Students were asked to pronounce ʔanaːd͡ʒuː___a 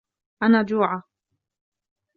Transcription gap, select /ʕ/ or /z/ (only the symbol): ʕ